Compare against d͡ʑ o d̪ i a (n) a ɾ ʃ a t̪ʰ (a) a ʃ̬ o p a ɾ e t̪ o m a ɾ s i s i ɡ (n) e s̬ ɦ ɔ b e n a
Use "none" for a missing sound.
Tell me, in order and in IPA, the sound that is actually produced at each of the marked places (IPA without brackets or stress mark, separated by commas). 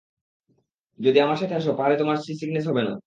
m, e, n